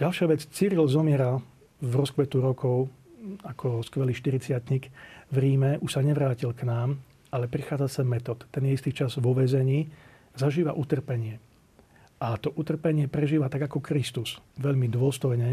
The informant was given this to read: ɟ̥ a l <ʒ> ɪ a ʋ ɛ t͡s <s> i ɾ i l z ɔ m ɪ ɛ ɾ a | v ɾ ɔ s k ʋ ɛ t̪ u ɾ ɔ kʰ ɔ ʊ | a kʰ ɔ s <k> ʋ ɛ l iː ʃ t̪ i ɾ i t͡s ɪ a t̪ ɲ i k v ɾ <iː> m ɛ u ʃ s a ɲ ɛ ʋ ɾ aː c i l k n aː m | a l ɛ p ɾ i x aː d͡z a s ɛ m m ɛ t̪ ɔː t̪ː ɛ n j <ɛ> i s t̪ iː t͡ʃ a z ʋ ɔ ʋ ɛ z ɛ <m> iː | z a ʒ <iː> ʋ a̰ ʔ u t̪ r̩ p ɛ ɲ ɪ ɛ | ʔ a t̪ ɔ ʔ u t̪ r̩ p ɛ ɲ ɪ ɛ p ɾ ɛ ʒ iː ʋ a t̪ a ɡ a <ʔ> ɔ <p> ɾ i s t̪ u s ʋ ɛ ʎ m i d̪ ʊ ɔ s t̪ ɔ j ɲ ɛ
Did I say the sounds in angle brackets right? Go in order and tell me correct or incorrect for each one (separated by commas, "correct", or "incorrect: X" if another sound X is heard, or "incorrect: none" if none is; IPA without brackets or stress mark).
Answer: incorrect: ʃ, incorrect: t͡s, correct, correct, correct, incorrect: ɲ, correct, incorrect: k, incorrect: k